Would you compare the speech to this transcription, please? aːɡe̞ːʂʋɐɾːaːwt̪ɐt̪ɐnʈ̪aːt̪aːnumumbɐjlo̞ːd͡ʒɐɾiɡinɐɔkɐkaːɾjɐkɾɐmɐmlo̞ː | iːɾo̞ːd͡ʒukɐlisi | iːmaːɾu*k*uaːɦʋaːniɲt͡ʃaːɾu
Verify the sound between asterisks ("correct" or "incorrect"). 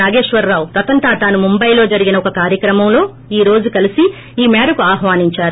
correct